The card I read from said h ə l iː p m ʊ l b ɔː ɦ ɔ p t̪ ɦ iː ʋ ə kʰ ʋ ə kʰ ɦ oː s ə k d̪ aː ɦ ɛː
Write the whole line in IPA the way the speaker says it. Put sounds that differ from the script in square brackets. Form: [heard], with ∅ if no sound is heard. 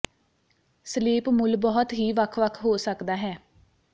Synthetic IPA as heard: [s] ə l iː p m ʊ l b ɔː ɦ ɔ [∅] t̪ ɦ iː ʋ ə kʰ ʋ ə kʰ ɦ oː s ə k d̪ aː ɦ ɛː